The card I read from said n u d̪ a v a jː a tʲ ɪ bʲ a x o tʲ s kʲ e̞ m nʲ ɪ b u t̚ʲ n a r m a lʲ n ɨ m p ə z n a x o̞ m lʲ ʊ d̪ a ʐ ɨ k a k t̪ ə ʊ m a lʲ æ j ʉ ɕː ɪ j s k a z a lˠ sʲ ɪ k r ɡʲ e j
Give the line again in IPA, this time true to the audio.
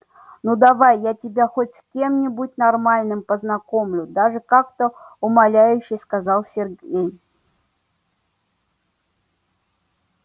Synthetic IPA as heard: n u d̪ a v a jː a tʲ ɪ bʲ a x o tʲ s kʲ e̞ m nʲ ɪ b u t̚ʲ n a r m a lʲ n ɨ m p ə z n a k o̞ m lʲ ʊ d̪ a ʐ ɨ k a k t̪ ə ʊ m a lʲ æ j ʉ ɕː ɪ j s k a z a lˠ sʲ ɪ r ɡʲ e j